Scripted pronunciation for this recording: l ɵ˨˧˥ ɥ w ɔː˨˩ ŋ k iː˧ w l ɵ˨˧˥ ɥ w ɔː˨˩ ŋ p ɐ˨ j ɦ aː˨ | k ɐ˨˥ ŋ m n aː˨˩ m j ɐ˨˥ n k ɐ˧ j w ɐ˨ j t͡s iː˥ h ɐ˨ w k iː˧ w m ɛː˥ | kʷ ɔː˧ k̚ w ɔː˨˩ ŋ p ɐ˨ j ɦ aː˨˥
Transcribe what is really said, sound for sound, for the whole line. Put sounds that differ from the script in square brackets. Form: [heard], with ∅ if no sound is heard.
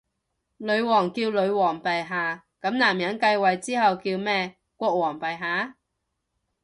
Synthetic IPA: l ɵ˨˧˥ ɥ w ɔː˨˩ ŋ k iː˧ w l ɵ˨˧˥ ɥ w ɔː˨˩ ŋ p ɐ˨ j ɦ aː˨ | k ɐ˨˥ [∅] m n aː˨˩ m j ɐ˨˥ n k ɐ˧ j w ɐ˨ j t͡s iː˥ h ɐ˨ w k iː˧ w m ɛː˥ | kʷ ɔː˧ k̚ w ɔː˨˩ ŋ p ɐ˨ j ɦ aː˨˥